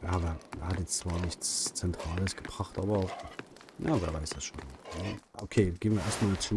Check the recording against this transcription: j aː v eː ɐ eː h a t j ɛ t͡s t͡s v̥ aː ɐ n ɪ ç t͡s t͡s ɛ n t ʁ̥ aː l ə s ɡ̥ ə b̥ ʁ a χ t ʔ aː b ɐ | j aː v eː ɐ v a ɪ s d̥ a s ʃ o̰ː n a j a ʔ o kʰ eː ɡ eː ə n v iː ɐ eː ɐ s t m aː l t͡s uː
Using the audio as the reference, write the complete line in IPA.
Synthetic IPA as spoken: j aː v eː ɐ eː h a t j ɛ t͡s t͡s v̥ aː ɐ n ɪ ç t͡s t͡s ɛ n t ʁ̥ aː l ə s ɡ̥ ə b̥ ʁ a χ t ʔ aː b ɐ | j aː v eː ɐ v a ɪ s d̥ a s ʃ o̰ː n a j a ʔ o kʰ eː ɡ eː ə n v iː ɐ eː ɐ s t m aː l t͡s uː

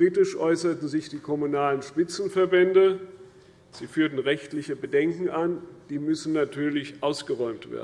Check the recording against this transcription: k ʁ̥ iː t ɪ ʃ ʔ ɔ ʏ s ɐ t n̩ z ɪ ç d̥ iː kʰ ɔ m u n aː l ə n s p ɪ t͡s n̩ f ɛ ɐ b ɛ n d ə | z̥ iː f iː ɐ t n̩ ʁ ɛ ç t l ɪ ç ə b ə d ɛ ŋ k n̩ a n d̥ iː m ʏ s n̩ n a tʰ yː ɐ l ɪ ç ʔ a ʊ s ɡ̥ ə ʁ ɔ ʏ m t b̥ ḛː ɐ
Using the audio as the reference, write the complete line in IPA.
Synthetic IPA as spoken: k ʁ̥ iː t ɪ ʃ ʔ ɔ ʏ s ɐ t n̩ z ɪ ç d̥ iː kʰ ɔ m u n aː l ə n ʃ p ɪ t͡s n̩ f ɛ ɐ b ɛ n d ə | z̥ iː f yː ɐ t n̩ ʁ ɛ ç t l ɪ ç ə b ə d ɛ ŋ k ŋ̩ a n d̥ iː m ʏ s n̩ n a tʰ yː ɐ l ɪ ç ʔ a ʊ s ɡ̥ ə ʁ ɔ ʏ m t v̥ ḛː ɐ

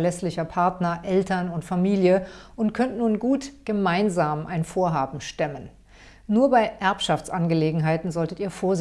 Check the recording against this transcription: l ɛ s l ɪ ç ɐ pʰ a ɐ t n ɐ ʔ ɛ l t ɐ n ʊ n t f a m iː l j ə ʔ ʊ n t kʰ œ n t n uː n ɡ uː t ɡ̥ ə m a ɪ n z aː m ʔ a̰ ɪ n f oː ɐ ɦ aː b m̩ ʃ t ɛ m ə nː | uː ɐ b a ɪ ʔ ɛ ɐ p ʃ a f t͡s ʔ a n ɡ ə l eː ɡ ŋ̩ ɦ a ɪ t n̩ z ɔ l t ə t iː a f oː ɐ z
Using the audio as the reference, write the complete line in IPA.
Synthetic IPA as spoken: l ɛ s l ɪ ç ɐ pʰ a ɐ t n ɐ ʔ ɛ l t ɐ n ʊ n t f a m iː l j ə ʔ ʊ n t kʰ œ n t n uː n ɡ uː t ɡ̥ ə m a ɪ n z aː m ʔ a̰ ɪ n f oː ɐ ɦ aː b m̩ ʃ t ɛ m ə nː | uː ɐ b a ɪ ʔ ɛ ɐ p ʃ a f t͡s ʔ a n ɡ ə l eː ɡ ŋ̩ ɦ a ɪ t n̩ z ɔ l t ə t iː ɐ f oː ɐ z

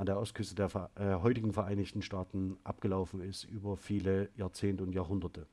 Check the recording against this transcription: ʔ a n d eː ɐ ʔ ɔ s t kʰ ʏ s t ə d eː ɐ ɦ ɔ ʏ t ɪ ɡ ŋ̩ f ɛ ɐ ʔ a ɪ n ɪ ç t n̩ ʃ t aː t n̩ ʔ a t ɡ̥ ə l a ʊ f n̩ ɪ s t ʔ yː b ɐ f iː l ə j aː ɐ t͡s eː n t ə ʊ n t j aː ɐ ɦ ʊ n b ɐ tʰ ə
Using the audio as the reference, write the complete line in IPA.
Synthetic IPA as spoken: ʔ a n d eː ɐ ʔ ɔ s t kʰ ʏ s t ə d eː ɐ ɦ ɔ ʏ t ɪ ɡ ŋ̩ f ɛ ɐ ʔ a ɪ n ɪ ç t n̩ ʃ t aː t n̩ ʔ a p ɡ̥ ə l a ʊ f n̩ ɪ s t ʔ yː b ɐ f iː l ə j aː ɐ t͡s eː n t ə ʊ n t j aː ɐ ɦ ʊ n d ɐ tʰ ə

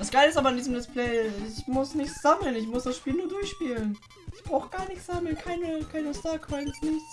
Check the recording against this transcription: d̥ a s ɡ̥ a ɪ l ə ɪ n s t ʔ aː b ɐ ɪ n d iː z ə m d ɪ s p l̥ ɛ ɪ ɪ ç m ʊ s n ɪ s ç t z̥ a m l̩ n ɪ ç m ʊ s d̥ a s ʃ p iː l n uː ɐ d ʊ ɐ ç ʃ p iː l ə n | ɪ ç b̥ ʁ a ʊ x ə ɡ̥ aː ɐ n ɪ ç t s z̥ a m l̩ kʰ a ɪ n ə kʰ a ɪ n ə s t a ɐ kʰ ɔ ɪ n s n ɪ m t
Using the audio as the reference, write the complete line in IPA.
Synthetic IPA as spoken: d̥ a s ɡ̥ a ɪ l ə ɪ s t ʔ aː b ɐ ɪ n d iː z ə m d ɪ s p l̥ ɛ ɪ ɪ ç m ʊ s n ɪ ç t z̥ a m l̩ n ɪ ç m ʊ s d̥ a s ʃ p iː l n uː ɐ d ʊ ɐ ç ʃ p iː l ə n | ɪ ç b̥ ʁ a ʊ x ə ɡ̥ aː ɐ n ɪ ç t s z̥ a m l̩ kʰ a ɪ n ə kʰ a ɪ n ə s t a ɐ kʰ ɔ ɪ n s n ɪ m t

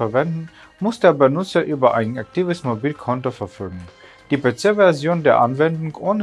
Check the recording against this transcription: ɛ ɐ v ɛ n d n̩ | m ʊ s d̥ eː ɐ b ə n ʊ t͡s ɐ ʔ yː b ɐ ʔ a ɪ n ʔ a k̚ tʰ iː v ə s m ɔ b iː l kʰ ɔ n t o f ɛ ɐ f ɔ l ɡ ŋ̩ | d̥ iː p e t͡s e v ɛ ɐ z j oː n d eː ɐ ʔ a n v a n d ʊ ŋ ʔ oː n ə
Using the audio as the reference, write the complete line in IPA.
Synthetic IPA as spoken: ɛ ɐ v ɛ n d n̩ | m ʊ s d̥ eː ɐ b ə n ʊ t͡s ɐ ʔ yː b ɐ ʔ a ɪ n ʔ a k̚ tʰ iː v ə s m o b iː l kʰ ɔ n t o f ɛ ɐ f ɔ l ɡ ŋ̩ | d̥ iː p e t͡s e v ɛ ɐ z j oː n d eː ɐ ʔ a n v ɛ n d ʊ ŋ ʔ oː n ə

